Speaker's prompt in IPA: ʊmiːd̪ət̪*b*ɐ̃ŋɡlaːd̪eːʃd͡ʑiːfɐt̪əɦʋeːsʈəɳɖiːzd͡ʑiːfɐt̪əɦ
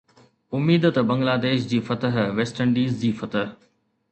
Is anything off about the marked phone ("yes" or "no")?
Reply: no